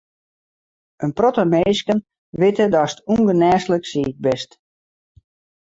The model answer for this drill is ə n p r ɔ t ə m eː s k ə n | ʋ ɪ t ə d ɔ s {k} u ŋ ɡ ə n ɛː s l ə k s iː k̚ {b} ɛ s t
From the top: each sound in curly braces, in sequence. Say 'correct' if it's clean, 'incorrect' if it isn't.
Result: incorrect: t, correct

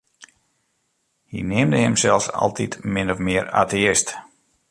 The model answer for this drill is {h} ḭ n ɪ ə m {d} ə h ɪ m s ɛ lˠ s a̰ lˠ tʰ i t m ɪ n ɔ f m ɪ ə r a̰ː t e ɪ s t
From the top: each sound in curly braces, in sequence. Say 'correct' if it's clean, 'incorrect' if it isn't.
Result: correct, correct

